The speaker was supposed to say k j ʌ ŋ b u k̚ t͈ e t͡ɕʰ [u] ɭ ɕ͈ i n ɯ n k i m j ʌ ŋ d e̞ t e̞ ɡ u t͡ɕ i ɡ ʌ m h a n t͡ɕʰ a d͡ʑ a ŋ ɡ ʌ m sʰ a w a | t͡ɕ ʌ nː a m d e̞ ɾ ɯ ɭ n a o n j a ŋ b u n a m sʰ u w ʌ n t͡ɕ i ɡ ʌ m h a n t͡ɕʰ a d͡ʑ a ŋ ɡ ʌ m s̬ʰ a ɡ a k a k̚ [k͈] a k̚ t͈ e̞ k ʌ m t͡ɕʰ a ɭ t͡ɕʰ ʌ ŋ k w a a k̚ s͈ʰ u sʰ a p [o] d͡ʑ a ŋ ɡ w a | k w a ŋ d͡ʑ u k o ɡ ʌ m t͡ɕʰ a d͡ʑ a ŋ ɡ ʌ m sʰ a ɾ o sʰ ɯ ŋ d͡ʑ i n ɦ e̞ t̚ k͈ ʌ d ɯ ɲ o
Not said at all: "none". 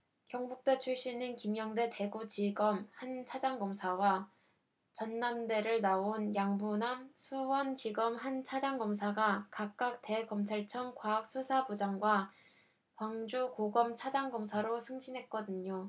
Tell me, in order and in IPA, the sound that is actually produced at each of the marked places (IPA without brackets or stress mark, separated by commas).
u, k͈, u